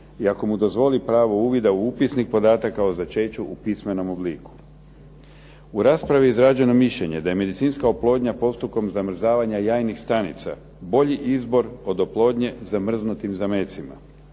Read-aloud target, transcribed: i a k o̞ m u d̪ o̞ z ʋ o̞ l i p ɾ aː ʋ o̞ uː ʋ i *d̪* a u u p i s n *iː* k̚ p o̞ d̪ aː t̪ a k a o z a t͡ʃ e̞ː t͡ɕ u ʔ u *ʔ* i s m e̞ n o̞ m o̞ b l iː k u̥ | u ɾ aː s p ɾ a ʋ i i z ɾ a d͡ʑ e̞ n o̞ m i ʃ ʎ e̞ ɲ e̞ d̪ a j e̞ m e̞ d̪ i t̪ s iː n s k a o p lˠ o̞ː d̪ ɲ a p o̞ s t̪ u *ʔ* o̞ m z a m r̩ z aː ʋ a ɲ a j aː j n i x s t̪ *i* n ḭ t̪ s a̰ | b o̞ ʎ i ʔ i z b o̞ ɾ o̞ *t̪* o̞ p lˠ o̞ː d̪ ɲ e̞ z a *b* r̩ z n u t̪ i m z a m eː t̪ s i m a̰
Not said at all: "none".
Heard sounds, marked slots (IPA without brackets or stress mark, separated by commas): d̪, i, p, k, a, d̪, m